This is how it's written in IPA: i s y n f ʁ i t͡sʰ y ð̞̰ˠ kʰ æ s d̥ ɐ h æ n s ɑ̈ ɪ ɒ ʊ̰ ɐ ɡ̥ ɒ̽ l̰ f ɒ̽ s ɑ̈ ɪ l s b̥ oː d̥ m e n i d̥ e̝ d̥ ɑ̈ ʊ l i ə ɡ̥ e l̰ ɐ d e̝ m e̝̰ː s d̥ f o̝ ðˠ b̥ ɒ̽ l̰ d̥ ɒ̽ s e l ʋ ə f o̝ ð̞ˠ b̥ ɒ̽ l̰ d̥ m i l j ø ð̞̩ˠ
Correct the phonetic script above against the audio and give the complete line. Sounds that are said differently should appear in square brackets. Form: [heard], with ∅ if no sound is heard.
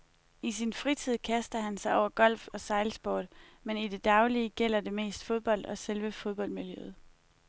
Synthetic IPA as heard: i s [i] n f ʁ i t͡sʰ [i] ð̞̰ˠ kʰ æ s d̥ ɐ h æ n s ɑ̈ ɪ ɒ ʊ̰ ɐ ɡ̥ ɒ̽ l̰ f ɒ̽ s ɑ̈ ɪ l s b̥ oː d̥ m e n i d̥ e̝ d̥ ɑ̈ ʊ l i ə ɡ̥ e l̰ ɐ d e̝ m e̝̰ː s d̥ f o̝ ðˠ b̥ ɒ̽ l̰ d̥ ɒ̽ s e l ʋ ə f o̝ ð̞ˠ b̥ ɒ̽ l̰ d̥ m i l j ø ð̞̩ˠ